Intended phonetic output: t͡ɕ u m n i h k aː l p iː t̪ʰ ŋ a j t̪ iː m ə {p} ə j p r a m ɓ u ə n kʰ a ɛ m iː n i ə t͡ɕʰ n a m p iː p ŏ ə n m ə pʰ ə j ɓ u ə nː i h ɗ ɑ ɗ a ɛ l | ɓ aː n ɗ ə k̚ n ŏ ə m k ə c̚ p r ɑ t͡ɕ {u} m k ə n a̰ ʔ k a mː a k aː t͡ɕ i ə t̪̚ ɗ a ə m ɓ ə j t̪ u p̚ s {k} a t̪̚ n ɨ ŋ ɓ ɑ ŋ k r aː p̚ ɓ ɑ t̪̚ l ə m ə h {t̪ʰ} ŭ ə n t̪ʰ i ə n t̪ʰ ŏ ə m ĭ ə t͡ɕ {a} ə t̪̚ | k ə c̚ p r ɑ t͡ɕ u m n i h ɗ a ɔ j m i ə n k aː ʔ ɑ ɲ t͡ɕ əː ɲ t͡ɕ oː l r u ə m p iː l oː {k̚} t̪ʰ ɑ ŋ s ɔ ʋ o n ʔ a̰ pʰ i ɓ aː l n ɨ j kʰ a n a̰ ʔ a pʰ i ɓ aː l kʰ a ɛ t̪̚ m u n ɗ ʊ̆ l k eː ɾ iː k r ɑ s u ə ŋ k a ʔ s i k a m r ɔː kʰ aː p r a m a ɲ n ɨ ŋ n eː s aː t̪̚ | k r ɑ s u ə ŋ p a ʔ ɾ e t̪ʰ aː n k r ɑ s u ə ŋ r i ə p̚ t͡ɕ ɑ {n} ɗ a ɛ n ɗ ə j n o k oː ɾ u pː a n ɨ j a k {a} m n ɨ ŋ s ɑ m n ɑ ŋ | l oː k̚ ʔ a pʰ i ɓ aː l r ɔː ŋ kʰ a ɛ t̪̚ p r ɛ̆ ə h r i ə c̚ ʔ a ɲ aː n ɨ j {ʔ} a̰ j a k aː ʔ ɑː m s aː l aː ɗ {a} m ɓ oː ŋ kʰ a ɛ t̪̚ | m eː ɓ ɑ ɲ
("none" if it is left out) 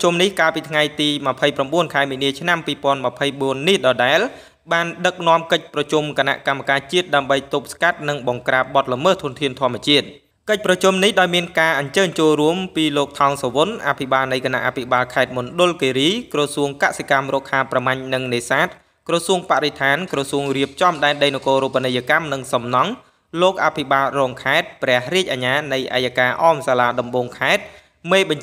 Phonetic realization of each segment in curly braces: pʰ, u, k, t̪ʰ, i, k̚, m, a, ʔ, ɑ

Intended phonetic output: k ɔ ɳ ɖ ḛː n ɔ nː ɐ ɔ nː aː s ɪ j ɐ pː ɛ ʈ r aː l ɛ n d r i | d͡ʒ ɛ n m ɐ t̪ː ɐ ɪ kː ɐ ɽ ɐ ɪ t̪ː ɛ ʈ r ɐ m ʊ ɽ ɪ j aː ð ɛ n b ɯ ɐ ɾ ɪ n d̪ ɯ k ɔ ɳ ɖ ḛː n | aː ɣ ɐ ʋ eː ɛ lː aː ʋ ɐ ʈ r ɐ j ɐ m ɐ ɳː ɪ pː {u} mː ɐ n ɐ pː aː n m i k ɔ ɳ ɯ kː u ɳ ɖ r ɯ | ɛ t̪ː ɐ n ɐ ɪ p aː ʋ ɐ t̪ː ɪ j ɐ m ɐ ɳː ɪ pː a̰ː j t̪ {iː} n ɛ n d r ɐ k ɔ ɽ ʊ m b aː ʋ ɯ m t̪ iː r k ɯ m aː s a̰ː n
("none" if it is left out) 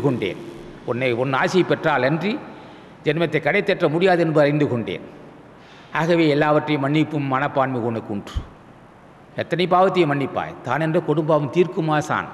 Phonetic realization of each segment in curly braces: ɯ, aː

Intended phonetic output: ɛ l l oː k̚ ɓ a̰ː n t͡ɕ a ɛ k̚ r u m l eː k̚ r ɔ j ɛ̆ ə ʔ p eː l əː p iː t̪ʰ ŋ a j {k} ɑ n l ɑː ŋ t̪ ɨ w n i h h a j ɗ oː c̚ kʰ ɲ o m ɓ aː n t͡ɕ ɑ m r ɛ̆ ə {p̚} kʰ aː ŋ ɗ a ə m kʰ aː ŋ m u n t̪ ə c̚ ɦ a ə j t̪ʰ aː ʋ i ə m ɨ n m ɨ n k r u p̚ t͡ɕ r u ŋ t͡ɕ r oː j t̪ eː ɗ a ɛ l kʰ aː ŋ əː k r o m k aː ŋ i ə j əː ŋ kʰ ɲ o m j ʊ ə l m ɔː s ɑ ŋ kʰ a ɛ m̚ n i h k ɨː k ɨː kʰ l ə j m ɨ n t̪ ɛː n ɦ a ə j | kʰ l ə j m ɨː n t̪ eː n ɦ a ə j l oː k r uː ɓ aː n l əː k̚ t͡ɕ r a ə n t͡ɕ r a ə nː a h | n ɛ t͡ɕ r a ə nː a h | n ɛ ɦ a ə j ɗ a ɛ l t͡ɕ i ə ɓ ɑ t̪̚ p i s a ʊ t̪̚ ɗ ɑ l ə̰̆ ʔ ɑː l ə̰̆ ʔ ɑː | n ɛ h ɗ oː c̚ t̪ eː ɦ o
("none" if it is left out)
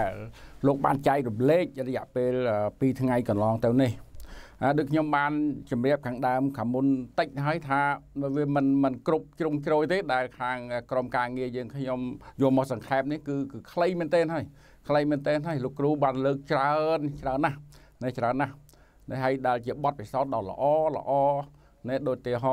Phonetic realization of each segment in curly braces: k, p̚

